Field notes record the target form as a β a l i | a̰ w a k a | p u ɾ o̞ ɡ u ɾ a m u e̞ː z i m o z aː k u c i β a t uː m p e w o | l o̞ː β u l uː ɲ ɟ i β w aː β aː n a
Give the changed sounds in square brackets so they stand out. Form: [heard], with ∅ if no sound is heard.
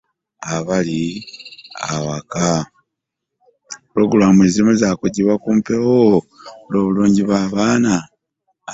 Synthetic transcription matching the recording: a β a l i | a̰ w a k a | p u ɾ o̞ ɡ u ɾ a m u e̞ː z i m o z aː k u [ɟ] i β a [k] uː m p e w o | l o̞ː β u l uː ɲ ɟ i β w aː β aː n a